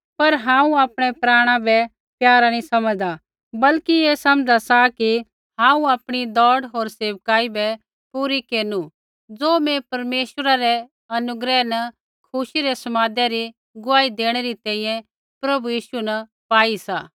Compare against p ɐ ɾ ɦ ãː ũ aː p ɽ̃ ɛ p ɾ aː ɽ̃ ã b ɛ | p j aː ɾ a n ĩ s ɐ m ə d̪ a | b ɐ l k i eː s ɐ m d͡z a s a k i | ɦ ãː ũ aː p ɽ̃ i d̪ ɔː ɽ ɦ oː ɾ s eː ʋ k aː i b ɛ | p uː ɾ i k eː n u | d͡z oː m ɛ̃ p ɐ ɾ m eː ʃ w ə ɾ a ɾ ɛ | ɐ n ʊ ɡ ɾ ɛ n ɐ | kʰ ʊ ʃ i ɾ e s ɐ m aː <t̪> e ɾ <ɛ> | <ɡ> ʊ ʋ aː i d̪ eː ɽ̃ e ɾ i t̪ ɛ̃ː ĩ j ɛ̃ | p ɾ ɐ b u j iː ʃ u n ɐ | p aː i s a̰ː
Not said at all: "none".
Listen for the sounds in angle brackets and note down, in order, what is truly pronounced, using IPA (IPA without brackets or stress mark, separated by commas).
d̪, i, ɡ